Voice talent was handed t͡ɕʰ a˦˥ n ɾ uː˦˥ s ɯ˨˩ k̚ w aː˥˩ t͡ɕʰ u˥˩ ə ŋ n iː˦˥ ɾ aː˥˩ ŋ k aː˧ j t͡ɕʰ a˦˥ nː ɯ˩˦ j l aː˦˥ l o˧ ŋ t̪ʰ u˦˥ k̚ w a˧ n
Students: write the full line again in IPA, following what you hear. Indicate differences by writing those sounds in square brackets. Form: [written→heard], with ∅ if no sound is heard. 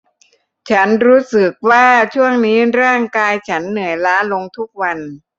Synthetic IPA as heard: t͡ɕʰ a˦˥ n ɾ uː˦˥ s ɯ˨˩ k̚ w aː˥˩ t͡ɕʰ u˥˩ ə ŋ n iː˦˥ ɾ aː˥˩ ŋ k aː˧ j t͡ɕʰ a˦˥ nː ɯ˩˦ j l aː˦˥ l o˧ ŋ t̪ʰ u˦˥ k̚ w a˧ n